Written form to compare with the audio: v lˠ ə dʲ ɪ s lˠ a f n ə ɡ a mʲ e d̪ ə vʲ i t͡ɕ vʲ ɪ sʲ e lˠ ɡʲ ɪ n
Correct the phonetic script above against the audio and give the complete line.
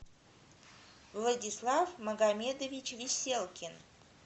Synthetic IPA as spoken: v lˠ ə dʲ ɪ s lˠ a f m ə ɡ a mʲ e d̪ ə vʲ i t͡ɕ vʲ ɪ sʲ e lˠ kʲ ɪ n